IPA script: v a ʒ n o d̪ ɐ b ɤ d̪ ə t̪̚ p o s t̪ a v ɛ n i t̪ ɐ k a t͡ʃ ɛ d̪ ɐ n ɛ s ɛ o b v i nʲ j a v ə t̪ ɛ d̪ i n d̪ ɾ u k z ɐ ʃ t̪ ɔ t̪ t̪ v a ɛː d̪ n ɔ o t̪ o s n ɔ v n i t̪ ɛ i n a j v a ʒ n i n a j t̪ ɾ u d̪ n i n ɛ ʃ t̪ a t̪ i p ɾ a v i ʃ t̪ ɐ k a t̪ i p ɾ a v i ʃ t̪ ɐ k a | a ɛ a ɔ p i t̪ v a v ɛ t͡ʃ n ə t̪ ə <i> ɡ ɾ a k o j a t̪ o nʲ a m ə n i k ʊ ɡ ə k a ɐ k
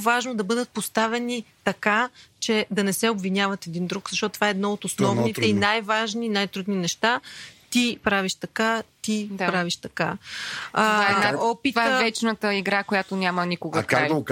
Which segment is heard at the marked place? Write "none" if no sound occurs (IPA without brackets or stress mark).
i